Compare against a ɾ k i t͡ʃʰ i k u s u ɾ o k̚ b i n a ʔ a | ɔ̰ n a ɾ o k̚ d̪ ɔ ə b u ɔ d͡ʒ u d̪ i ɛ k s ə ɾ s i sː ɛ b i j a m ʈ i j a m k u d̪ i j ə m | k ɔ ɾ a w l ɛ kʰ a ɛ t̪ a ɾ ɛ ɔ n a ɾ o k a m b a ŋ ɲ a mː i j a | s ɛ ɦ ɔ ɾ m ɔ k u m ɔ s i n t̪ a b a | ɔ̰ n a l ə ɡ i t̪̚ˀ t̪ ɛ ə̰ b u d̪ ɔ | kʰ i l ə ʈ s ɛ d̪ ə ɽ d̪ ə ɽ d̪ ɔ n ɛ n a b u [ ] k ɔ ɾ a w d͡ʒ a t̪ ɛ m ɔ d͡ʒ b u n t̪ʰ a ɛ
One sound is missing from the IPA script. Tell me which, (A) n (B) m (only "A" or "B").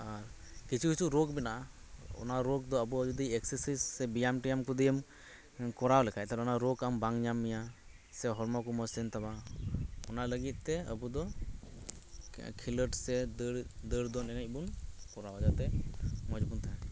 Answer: A